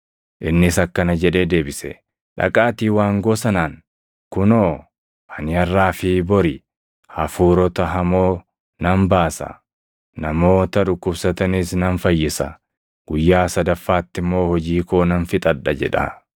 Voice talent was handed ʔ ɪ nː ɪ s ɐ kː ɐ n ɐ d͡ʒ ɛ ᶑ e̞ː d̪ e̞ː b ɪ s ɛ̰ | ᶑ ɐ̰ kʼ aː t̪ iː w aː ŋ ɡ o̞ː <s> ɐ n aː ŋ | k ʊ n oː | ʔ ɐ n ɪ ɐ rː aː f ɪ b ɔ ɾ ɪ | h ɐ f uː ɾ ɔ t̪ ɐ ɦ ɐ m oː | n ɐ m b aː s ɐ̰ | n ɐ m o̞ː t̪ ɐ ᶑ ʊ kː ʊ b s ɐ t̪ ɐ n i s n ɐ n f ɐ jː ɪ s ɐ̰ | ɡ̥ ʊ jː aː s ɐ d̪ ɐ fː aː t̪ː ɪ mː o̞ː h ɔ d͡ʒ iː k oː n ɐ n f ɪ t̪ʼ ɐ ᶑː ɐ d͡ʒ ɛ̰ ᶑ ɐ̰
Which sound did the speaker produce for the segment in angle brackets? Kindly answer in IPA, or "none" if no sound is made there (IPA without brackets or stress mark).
s